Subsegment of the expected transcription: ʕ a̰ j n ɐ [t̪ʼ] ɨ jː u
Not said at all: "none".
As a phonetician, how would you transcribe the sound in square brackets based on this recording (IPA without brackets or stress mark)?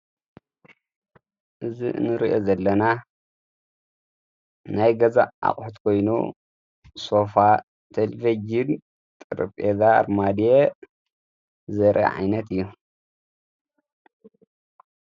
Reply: t̪